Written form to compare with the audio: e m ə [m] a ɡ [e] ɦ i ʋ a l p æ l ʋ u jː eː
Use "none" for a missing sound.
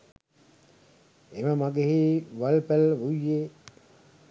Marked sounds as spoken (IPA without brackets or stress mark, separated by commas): m, e